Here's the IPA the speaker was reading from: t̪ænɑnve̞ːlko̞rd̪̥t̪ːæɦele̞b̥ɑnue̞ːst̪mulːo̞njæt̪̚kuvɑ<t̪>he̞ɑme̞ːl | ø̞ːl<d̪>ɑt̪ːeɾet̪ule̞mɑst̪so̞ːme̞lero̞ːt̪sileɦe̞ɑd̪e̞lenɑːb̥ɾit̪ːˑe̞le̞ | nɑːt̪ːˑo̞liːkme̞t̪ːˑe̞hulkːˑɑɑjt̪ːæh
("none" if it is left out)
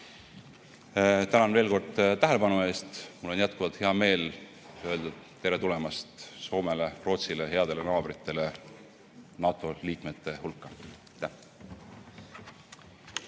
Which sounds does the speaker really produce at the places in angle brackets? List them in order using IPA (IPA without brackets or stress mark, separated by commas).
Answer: t̪, d̪